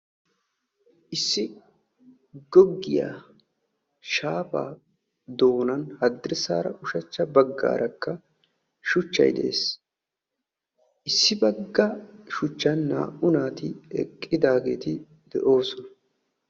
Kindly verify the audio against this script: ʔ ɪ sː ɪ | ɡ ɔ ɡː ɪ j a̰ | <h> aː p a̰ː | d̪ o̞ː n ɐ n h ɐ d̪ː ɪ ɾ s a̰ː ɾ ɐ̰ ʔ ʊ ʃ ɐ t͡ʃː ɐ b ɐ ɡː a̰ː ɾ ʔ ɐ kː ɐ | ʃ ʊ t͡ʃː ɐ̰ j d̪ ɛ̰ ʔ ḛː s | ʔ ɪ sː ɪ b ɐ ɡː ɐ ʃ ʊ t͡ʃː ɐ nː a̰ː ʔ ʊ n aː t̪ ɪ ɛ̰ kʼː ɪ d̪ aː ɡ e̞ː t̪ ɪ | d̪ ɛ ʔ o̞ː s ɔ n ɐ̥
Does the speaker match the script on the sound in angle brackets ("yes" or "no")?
no